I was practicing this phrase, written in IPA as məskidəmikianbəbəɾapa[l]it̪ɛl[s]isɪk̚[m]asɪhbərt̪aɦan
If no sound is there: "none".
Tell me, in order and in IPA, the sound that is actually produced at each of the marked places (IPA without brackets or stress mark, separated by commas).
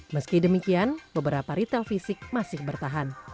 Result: ɾ, f, m